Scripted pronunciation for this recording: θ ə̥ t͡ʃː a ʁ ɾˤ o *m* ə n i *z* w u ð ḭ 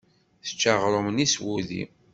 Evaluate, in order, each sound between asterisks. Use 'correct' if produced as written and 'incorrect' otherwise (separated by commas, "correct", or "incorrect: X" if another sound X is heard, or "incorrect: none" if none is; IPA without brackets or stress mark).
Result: correct, incorrect: s